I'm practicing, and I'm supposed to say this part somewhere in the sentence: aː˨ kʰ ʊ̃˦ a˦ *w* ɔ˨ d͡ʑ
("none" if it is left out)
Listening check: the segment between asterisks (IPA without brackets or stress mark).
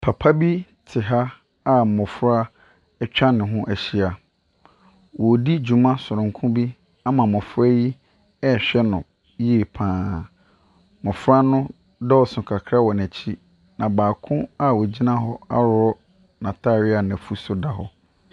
w